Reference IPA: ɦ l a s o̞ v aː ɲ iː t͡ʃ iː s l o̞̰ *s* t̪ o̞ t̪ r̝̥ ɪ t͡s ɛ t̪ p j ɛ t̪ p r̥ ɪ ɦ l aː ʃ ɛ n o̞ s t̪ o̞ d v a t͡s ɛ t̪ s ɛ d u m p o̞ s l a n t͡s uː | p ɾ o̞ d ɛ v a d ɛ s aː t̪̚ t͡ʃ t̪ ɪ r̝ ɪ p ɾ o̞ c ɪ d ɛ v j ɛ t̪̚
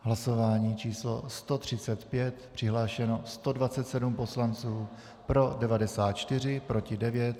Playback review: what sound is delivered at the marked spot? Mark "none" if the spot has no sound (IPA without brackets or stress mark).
s